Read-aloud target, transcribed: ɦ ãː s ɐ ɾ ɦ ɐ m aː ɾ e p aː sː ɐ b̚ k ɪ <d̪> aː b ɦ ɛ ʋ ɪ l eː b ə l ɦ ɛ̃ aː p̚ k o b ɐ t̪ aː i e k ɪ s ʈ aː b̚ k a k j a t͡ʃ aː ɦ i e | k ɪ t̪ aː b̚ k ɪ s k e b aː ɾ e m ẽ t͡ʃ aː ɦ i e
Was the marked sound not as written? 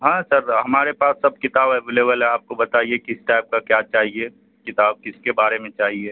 yes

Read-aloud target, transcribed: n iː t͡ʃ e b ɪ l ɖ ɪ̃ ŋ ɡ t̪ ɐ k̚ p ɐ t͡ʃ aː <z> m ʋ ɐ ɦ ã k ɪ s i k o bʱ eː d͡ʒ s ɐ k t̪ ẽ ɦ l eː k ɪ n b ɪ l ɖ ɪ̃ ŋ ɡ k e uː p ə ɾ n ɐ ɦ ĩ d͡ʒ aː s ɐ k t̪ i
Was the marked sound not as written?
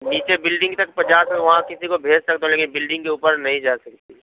yes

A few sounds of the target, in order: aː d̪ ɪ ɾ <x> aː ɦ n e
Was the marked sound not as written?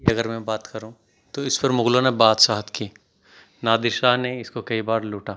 yes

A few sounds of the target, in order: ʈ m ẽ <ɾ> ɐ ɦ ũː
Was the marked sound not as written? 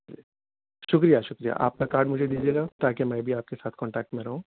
no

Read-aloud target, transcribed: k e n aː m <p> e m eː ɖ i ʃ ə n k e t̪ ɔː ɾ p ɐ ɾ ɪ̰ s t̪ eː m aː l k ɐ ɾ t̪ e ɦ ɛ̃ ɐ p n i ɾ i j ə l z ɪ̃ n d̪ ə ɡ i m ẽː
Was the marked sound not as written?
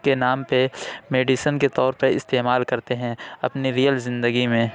no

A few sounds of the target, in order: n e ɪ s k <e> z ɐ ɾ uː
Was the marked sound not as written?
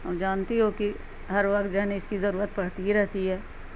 yes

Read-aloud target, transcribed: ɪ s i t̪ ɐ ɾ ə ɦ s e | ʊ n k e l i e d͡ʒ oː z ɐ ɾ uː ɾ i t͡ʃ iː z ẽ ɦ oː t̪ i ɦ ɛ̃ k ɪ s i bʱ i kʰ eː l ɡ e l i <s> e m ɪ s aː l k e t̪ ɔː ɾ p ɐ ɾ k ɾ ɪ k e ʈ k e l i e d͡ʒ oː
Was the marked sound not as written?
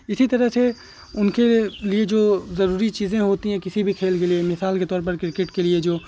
yes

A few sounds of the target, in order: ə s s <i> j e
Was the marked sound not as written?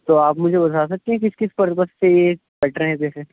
yes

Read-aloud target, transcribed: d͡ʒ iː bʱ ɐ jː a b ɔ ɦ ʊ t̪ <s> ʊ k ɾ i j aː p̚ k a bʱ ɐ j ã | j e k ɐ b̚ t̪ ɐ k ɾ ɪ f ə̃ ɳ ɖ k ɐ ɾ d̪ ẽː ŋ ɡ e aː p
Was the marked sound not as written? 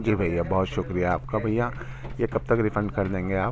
yes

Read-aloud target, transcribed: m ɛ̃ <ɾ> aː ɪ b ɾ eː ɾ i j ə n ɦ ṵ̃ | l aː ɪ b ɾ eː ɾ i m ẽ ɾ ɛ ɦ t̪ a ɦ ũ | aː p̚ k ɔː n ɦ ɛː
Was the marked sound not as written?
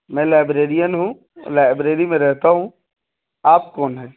yes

